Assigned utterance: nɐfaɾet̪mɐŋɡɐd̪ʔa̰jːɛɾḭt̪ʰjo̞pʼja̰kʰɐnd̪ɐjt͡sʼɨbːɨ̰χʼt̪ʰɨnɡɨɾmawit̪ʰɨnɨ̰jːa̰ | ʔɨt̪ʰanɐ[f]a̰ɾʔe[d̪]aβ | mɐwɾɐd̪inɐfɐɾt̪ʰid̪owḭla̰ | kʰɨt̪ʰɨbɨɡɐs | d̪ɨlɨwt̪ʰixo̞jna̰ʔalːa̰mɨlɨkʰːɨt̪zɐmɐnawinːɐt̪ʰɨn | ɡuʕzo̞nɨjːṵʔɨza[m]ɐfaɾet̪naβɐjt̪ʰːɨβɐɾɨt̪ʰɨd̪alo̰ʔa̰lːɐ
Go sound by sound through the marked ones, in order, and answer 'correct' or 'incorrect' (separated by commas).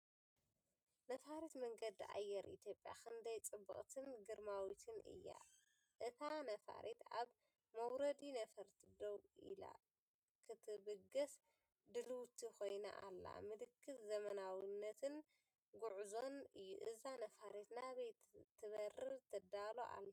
correct, incorrect, incorrect